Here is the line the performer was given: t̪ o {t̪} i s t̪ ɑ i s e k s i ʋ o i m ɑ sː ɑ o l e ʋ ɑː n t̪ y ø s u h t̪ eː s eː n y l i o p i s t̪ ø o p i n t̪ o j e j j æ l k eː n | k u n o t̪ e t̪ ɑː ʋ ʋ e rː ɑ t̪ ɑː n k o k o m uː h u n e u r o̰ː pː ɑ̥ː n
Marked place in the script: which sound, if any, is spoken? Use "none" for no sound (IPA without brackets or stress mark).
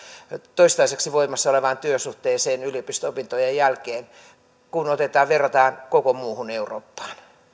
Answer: none